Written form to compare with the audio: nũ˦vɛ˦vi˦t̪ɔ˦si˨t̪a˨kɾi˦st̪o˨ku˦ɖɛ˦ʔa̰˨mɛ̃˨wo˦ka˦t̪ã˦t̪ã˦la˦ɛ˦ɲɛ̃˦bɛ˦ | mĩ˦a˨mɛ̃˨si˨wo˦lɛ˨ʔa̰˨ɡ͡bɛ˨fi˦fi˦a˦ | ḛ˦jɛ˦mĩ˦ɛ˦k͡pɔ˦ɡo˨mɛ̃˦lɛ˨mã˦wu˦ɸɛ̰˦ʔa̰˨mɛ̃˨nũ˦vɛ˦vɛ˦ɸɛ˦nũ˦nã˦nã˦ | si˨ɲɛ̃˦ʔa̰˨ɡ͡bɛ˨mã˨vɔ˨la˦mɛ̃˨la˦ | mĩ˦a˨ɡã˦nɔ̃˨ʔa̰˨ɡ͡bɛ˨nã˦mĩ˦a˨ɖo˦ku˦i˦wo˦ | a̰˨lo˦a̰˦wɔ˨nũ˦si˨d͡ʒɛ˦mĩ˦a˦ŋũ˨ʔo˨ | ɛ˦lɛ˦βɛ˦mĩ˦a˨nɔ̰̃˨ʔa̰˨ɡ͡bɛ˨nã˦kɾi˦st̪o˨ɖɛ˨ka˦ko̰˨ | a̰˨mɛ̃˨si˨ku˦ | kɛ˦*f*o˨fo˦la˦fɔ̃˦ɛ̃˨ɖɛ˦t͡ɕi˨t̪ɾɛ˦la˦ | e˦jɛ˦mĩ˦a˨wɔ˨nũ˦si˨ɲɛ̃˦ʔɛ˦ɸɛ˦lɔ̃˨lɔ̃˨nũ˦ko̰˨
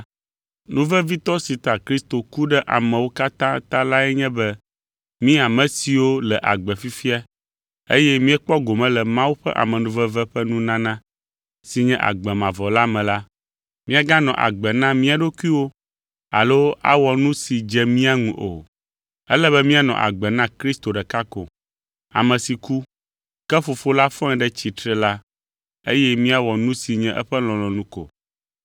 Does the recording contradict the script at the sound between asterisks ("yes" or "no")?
no